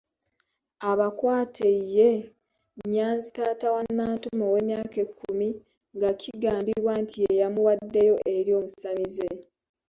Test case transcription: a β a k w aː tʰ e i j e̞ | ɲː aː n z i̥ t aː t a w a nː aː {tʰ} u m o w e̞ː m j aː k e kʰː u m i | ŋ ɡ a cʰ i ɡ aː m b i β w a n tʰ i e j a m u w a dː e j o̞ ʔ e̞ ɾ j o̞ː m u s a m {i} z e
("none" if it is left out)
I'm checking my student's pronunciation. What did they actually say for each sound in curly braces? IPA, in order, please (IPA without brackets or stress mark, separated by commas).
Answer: t, i